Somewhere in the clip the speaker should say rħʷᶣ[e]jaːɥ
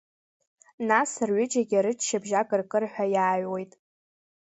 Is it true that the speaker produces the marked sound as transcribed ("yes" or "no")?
no